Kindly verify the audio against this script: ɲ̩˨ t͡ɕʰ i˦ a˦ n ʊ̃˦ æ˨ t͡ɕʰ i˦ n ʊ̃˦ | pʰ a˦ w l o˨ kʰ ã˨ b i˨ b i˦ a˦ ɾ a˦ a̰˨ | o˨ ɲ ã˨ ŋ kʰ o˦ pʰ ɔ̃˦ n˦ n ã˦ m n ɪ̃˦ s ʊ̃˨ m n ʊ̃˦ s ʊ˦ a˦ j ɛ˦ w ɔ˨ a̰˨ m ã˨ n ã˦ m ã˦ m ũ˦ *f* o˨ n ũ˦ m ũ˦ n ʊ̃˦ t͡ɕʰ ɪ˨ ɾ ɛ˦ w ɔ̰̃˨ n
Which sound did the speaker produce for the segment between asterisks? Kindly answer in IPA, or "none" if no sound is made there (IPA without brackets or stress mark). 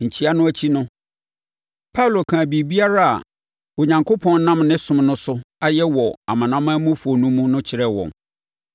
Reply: f